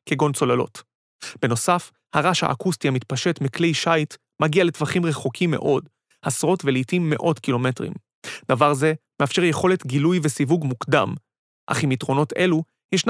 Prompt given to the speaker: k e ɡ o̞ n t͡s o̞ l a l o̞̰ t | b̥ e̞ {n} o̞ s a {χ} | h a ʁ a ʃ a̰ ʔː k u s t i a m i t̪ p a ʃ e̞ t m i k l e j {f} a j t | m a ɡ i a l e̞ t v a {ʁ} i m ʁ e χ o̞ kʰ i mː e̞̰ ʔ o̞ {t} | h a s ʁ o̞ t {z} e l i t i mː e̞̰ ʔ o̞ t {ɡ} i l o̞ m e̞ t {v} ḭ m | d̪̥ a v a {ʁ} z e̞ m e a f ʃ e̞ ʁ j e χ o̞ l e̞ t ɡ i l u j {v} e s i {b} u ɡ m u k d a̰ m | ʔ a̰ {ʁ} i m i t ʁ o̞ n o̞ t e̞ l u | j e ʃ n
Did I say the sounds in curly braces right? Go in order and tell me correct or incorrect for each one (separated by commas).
correct, incorrect, incorrect, incorrect, incorrect, incorrect, incorrect, incorrect, correct, correct, incorrect, incorrect